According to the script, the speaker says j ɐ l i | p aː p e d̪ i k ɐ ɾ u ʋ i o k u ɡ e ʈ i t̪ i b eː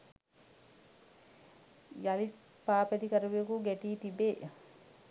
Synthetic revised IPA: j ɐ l i | p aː p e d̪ i k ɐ ɾ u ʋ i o k u ɡ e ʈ iː t̪ i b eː